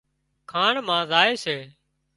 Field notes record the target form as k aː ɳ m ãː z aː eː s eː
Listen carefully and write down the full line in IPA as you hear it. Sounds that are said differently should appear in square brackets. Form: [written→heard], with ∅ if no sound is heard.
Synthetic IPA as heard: [k→kʰ] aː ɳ m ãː z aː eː s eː